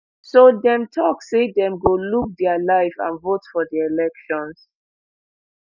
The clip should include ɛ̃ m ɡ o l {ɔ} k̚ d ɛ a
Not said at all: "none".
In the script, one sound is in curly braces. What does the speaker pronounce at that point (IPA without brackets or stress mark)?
u